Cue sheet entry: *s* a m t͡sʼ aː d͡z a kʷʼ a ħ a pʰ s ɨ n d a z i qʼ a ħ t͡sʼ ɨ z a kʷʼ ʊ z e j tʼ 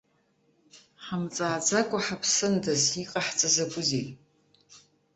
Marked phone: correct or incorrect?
incorrect